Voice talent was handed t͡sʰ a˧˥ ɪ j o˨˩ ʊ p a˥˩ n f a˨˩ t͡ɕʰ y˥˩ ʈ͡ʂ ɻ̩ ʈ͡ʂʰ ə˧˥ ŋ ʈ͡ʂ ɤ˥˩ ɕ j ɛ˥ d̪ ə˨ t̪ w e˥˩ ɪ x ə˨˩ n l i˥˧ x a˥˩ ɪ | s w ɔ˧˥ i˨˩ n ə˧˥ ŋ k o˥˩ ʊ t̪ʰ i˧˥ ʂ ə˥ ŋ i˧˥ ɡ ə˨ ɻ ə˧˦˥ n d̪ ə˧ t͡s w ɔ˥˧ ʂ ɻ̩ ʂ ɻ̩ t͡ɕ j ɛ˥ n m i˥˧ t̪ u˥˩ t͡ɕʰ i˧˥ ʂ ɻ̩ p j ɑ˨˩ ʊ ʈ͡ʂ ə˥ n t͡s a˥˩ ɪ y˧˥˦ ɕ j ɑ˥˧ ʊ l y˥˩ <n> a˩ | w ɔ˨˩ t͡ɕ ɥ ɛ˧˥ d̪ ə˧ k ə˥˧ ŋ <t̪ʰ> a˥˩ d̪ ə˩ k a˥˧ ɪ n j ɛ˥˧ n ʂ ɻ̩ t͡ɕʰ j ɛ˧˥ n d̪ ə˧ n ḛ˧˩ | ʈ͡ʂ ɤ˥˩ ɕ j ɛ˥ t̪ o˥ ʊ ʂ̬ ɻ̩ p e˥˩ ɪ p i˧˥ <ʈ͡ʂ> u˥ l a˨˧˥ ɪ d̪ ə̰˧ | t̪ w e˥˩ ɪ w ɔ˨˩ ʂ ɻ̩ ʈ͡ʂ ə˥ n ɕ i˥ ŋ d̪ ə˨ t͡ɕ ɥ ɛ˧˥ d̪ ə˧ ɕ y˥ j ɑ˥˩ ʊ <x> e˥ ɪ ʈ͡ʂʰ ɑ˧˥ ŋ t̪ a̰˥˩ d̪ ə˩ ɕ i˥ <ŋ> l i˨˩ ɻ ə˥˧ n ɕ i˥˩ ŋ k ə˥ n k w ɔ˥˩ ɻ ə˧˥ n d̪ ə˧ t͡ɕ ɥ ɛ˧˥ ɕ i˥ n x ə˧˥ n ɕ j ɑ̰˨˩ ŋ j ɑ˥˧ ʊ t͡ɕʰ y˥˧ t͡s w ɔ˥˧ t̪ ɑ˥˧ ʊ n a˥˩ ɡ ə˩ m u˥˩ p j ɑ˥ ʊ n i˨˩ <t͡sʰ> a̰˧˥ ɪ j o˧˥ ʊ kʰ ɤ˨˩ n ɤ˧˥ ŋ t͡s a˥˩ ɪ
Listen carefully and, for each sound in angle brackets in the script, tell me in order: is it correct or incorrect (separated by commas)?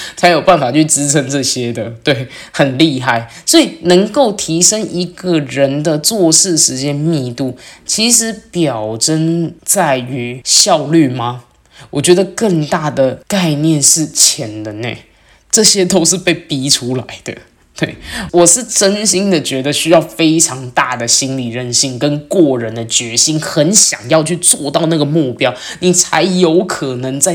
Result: incorrect, incorrect, incorrect, incorrect, incorrect, correct